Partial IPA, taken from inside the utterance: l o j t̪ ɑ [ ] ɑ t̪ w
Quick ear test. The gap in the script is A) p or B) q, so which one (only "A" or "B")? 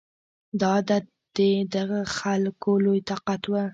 B